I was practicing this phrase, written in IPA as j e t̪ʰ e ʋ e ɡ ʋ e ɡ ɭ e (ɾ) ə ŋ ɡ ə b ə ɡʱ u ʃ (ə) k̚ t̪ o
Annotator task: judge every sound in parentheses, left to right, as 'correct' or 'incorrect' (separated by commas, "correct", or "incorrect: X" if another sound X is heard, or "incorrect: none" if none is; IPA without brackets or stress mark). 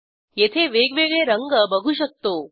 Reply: correct, correct